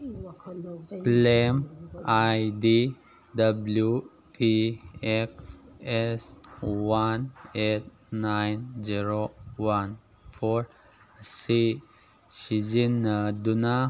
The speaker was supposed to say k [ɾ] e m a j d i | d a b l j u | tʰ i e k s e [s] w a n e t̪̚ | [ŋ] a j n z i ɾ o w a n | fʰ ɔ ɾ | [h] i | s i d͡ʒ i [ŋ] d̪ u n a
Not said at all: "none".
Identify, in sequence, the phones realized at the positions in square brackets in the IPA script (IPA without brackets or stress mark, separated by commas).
l, s, n, s, n